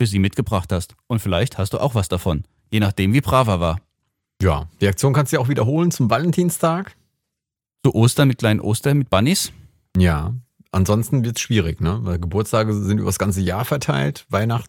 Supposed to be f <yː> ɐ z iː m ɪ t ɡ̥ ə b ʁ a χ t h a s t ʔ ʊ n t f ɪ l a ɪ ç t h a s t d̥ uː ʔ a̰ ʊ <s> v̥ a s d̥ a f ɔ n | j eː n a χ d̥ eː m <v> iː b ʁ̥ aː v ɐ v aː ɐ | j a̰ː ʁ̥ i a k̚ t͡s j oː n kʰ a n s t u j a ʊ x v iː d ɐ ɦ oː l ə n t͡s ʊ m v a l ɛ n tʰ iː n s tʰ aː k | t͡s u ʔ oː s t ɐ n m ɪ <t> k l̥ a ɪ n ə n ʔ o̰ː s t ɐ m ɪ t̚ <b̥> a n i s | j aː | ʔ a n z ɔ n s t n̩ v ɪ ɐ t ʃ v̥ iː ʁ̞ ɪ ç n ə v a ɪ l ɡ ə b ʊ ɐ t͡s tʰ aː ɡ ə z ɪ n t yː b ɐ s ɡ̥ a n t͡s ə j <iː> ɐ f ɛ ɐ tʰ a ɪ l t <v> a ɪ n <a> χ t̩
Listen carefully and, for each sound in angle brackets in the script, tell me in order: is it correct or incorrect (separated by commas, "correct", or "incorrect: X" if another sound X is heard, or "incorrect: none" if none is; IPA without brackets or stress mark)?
correct, incorrect: x, correct, correct, correct, incorrect: aː, correct, correct